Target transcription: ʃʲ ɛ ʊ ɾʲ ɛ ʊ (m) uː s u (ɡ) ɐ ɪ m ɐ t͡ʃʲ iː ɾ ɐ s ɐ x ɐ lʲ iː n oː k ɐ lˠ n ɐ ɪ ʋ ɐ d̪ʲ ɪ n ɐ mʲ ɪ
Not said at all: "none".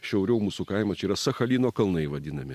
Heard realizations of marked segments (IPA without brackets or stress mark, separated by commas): m, k